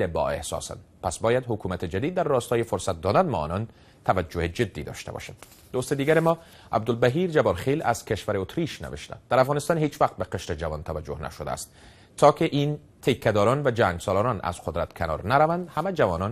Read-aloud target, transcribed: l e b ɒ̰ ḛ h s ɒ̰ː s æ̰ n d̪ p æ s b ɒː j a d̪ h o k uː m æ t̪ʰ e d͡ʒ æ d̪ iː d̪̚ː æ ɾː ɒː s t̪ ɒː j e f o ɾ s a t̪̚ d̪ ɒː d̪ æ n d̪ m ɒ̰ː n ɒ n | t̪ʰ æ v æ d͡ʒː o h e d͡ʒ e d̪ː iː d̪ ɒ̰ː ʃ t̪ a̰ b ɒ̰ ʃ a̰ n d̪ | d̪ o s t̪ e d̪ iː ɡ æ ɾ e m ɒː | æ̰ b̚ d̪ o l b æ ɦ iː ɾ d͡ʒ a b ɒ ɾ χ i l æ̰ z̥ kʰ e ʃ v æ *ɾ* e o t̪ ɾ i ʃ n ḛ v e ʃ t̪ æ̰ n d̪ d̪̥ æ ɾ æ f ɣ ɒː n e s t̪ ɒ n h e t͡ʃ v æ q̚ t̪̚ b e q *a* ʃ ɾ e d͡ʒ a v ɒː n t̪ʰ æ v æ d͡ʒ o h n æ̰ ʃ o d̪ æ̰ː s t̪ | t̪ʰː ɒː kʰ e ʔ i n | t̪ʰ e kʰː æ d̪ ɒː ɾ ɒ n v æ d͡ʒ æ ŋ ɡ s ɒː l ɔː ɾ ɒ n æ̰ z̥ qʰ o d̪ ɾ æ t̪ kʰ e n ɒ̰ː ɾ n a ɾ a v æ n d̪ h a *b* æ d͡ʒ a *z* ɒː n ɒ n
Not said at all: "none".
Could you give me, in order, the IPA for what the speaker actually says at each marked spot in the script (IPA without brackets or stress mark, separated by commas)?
ɾ, e, m, v